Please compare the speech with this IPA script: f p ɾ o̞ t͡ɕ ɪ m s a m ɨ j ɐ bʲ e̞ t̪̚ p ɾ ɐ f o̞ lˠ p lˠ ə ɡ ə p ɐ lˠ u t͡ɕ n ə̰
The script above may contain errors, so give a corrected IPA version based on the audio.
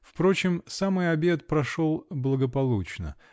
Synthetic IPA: f p ɾ o̞ t͡ɕ ɪ m s a m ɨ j ɐ bʲ e̞ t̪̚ p ɾ ɐ ʂ o̞ lˠ b lˠ ə ɡ ə p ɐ lˠ u t͡ɕ n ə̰